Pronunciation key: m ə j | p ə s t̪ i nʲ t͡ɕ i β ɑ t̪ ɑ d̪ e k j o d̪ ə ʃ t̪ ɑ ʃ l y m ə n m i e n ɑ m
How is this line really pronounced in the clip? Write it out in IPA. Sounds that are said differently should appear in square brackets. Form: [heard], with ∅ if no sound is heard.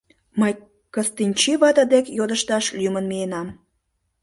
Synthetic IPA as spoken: m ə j | [k] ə s t̪ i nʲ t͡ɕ i β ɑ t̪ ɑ d̪ e k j o d̪ ə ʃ t̪ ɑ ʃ l y m ə n m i e n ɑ m